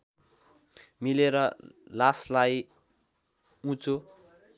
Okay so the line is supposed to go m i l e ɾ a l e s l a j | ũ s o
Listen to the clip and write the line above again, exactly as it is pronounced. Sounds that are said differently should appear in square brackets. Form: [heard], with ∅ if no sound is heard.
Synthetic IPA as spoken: m i l e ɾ [ʌ] l [a] s l a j | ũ [t͡s] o